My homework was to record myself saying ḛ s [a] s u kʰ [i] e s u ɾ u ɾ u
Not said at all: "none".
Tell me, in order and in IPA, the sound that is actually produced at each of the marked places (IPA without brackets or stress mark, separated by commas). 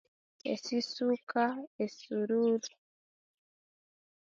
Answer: i, a